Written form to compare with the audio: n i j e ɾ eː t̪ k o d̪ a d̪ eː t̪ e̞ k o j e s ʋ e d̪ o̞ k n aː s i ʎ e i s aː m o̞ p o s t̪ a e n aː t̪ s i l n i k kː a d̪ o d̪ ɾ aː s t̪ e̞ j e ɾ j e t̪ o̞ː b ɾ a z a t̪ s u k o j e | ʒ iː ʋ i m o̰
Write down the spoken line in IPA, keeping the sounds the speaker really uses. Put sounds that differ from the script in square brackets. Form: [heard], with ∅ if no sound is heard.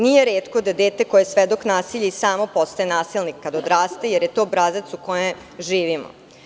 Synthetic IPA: n i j e ɾ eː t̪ k o d̪ a d̪ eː t̪ e̞ k o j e s ʋ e d̪ o̞ k n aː s i ʎ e i s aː m o̞ p o s t̪ a e n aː [∅] s i l n i k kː a d̪ o d̪ ɾ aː s t̪ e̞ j e ɾ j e t̪ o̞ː b ɾ a z a t̪ s u k o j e | ʒ iː ʋ i m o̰